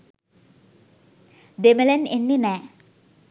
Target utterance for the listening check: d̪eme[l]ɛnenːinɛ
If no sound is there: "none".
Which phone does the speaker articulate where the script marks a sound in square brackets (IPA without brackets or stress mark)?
l